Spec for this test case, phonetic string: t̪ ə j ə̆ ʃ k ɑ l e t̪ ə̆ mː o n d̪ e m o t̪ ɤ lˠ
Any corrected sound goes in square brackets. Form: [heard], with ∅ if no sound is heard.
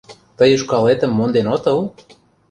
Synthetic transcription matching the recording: t̪ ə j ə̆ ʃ k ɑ l e t̪ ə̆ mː o n d̪ e [n] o t̪ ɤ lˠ